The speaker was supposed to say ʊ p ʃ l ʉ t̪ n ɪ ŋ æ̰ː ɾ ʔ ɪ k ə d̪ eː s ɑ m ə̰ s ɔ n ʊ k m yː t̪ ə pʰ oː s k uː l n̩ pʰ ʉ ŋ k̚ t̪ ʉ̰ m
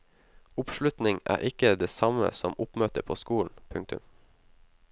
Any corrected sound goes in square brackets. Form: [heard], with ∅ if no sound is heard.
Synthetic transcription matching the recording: ʊ p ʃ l ʉ t̪ n ɪ ŋ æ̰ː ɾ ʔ ɪ k ə d̪ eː s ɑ m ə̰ s ɔ [m] ʊ [p] m [øː] t̪ ə pʰ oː s k uː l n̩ pʰ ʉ ŋ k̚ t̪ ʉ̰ m